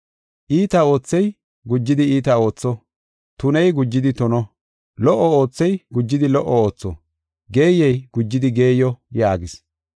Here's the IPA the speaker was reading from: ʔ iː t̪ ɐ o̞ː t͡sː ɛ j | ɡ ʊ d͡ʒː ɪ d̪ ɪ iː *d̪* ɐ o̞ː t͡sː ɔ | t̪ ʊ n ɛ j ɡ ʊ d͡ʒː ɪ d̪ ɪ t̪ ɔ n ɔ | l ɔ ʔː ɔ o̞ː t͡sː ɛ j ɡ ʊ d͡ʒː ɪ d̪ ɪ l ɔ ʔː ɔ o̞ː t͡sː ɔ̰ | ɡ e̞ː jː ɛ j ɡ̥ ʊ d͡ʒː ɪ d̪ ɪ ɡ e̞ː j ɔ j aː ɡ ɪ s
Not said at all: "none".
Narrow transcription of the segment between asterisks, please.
t̪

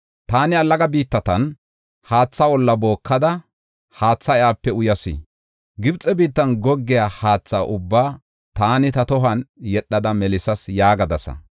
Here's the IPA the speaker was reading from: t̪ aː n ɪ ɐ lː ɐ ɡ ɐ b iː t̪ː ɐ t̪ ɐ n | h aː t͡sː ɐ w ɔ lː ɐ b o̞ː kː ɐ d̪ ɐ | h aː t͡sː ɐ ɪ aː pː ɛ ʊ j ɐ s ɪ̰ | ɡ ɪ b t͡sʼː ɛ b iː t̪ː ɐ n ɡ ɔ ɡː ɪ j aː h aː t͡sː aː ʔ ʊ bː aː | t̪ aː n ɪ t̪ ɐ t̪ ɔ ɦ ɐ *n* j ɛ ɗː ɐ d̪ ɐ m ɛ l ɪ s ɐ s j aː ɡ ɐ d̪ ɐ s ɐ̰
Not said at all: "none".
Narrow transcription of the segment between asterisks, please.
n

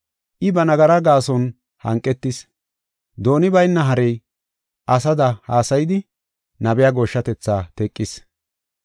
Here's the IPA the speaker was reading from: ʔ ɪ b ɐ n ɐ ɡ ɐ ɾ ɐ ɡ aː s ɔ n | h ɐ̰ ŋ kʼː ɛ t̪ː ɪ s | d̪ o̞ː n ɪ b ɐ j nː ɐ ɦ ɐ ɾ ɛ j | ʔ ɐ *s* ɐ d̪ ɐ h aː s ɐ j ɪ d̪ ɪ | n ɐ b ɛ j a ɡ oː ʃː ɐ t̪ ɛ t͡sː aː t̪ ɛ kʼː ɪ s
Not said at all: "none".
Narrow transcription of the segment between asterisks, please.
s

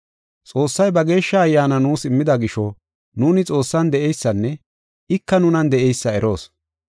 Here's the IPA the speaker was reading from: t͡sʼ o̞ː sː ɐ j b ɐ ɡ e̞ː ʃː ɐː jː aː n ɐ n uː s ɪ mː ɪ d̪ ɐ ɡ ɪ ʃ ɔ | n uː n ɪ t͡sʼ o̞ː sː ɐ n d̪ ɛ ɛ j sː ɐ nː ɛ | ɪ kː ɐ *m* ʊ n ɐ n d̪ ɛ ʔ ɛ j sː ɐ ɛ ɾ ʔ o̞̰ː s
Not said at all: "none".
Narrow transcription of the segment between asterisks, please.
n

